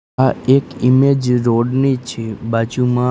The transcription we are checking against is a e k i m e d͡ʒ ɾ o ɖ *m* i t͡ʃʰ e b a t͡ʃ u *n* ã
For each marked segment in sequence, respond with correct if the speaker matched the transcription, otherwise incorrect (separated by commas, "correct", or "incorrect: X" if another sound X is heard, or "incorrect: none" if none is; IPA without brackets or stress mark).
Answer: incorrect: n, incorrect: m